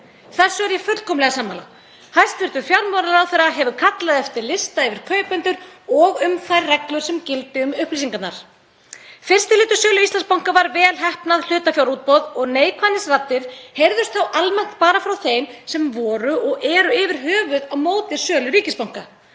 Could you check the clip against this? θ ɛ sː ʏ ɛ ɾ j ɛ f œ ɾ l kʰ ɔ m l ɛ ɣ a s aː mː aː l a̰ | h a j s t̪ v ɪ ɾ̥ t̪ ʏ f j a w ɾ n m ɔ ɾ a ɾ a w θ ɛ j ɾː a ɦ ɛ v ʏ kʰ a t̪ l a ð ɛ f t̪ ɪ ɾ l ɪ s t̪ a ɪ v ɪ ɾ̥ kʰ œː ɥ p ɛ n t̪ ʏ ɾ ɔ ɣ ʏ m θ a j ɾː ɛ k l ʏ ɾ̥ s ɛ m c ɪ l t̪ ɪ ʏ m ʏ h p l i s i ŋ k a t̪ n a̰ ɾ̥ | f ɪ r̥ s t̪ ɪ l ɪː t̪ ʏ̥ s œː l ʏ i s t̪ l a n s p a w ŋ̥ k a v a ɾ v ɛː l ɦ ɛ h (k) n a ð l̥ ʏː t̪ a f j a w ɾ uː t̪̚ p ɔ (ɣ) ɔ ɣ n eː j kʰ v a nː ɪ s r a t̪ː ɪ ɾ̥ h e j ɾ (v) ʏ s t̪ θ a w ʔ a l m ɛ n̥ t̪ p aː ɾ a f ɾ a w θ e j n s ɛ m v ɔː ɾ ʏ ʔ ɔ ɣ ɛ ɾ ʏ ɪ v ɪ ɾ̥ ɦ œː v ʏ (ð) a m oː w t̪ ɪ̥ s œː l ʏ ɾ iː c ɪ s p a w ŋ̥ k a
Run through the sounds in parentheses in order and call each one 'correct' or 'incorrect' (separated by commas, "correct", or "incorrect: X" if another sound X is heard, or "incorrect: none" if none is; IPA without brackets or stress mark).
incorrect: p, incorrect: ð, incorrect: ð, correct